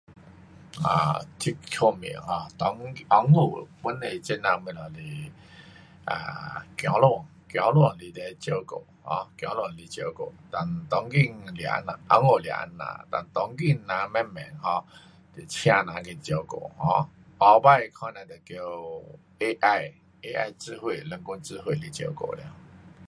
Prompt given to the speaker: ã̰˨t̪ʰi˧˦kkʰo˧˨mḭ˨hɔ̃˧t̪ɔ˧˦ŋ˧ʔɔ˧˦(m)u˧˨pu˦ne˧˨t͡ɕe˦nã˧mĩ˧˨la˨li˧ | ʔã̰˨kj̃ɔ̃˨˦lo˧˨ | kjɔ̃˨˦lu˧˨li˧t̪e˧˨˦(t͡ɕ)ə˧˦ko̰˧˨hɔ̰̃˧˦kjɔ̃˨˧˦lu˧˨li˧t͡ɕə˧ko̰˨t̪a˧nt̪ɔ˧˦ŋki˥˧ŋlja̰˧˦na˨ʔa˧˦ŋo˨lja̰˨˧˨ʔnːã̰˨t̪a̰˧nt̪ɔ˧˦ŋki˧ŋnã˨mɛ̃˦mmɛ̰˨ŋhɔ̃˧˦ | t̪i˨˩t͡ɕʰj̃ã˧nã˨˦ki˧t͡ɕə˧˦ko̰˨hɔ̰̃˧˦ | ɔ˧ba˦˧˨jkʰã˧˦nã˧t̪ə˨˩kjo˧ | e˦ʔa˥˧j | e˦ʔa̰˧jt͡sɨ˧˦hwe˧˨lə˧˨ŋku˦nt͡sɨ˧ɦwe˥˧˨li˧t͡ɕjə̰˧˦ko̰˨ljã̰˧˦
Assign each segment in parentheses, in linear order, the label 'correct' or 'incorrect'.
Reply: incorrect, correct

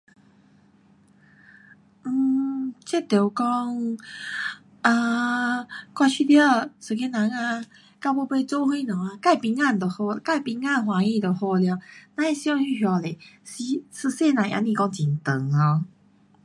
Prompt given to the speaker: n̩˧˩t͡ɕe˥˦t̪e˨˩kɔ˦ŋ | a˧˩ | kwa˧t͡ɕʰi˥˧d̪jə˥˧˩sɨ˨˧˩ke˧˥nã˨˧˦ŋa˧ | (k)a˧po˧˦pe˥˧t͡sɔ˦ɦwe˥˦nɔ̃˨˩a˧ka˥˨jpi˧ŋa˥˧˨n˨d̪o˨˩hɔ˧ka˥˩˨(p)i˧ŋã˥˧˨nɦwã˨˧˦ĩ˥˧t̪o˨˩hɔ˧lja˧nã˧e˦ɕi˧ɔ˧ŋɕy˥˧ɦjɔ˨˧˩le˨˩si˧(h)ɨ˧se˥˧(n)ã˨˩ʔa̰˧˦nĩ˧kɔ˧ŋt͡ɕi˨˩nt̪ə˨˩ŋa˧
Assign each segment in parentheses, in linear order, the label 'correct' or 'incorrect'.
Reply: correct, correct, incorrect, correct

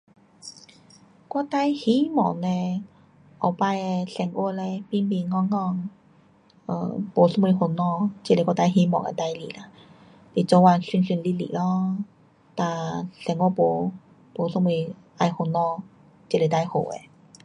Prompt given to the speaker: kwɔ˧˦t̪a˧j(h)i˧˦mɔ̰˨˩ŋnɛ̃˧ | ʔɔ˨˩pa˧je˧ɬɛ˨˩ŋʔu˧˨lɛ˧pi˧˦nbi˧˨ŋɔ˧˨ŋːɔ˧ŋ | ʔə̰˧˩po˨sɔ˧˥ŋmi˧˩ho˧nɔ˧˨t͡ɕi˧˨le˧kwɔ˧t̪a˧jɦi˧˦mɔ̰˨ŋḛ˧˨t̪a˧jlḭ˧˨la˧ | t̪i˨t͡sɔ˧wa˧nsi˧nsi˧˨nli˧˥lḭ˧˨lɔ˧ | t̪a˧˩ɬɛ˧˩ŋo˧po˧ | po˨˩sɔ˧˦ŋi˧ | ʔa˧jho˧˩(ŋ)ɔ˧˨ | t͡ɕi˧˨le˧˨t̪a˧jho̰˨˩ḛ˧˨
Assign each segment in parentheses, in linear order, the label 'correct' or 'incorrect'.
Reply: correct, incorrect

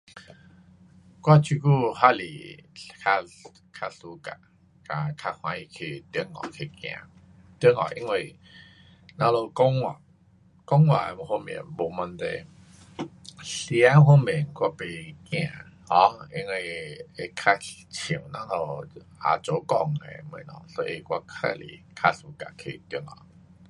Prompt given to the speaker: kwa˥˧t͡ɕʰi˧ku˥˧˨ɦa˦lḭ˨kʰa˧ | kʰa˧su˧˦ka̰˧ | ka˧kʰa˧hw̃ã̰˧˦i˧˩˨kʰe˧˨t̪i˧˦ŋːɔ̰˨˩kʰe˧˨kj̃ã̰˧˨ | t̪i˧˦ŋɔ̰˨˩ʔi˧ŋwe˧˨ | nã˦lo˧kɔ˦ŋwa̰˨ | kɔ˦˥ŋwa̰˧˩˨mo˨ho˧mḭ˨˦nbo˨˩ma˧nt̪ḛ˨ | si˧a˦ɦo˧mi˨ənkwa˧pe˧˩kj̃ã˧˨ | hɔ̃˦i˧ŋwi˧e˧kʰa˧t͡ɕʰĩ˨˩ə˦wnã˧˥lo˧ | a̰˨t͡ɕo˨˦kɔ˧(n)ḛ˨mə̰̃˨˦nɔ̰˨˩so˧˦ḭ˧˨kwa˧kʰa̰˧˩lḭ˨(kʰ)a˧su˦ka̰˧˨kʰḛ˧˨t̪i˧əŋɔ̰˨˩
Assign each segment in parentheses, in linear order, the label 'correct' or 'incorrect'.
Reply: incorrect, correct

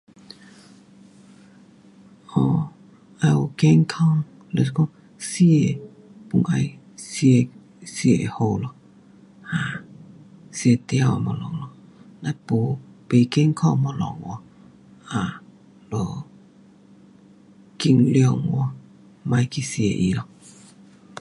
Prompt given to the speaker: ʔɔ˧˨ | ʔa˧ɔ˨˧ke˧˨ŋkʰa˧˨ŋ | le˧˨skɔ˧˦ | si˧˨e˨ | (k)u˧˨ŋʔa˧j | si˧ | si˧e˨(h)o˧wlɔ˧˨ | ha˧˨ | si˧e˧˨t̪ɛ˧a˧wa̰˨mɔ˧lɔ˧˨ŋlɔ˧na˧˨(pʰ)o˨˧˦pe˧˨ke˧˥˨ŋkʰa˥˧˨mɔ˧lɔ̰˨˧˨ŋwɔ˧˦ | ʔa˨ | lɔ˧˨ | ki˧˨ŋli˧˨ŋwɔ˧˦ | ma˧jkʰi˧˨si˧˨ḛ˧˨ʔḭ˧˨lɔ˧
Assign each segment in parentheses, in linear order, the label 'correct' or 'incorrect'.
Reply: incorrect, correct, incorrect

